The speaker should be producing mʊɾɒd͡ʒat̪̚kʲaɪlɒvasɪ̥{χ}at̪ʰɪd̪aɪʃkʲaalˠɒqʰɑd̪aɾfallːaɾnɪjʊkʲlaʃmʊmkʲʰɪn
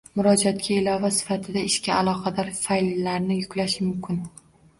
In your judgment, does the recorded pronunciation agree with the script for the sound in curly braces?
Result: no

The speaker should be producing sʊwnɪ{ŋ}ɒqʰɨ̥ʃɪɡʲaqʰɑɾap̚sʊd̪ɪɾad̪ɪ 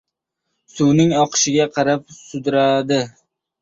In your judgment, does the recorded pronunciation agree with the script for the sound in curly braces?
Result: yes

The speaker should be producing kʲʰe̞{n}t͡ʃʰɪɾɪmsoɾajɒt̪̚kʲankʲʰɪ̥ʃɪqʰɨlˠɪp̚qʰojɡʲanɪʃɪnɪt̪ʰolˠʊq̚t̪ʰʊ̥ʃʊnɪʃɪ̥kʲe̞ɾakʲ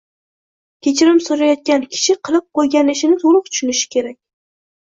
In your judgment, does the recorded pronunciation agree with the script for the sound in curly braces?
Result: no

